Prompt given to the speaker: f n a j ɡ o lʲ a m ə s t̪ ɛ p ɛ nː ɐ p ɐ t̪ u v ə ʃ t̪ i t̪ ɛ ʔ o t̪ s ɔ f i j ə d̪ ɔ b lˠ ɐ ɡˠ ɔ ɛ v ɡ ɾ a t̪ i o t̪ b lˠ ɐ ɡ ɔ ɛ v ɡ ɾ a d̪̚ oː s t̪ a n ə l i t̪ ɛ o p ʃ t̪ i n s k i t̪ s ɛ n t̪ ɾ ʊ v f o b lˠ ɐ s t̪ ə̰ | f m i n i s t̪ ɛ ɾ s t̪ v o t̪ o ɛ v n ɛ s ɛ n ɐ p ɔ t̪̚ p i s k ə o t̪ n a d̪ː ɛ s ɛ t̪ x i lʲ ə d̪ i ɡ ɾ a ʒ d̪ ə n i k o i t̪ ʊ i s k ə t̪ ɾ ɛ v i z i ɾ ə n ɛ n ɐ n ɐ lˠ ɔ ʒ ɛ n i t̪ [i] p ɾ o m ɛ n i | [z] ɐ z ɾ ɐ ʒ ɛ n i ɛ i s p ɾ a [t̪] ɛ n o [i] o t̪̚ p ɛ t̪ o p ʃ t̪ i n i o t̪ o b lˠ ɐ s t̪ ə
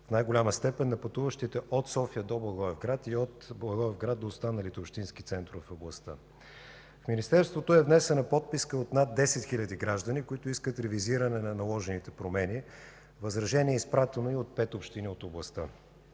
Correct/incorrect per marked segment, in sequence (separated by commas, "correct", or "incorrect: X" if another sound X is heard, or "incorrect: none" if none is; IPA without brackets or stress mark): incorrect: ɛ, incorrect: v, correct, correct